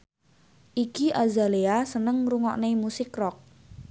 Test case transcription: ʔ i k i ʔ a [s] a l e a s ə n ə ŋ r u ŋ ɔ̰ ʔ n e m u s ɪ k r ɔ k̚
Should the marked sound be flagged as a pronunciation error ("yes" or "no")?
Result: yes